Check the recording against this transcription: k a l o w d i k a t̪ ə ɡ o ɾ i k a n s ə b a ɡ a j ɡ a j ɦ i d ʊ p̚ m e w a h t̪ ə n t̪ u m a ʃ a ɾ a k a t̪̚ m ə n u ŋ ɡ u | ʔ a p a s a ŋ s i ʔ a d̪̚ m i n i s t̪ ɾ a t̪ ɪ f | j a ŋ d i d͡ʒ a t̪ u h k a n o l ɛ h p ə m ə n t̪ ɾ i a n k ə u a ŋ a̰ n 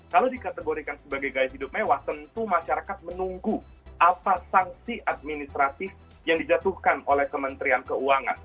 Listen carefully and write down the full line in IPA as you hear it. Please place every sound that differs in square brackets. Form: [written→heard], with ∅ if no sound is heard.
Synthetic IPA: k a l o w d i k a t̪ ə ɡ o ɾ i k a n s ə b a ɡ a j ɡ a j ɦ i d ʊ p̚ m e w a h t̪ ə n t̪ u m a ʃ a ɾ a k a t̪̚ m ə n u ŋ ɡ u | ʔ a p a s a ŋ s i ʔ a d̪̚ m i n i s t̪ ɾ a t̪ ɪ f | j a ŋ d i d͡ʒ a t̪ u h k a n o l ɛ h [p→k] ə m ə n t̪ ɾ i a n k ə u a ŋ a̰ n